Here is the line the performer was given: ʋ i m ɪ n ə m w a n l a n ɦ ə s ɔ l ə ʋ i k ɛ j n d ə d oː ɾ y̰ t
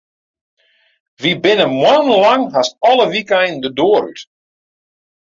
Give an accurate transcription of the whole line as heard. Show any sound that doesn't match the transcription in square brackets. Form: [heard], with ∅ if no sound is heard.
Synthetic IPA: ʋ i [b] ɪ n ə m w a n l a [ŋ] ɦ [a] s ɔ l ə ʋ i k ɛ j n d ə d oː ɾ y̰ t